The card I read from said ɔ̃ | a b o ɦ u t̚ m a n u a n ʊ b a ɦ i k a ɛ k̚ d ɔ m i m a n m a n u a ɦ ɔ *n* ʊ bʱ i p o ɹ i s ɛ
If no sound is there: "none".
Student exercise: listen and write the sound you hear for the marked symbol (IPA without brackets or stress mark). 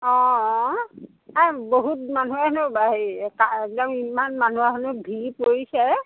n